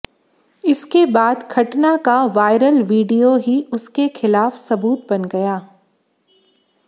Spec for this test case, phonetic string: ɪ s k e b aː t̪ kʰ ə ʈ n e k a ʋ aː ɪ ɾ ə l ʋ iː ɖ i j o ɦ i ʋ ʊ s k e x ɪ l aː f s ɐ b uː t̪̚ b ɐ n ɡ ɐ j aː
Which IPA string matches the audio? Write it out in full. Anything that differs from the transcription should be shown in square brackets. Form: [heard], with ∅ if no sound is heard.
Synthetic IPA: ɪ s k e b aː [d̪] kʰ [ɐ] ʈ n [a] k a ʋ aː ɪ ɾ ə l ʋ iː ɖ i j o ɦ i [∅] ʊ s k e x ɪ l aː f s ɐ b uː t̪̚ b ɐ n ɡ ɐ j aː